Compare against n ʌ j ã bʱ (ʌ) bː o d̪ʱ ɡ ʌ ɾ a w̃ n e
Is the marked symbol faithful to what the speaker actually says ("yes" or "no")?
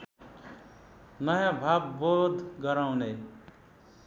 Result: no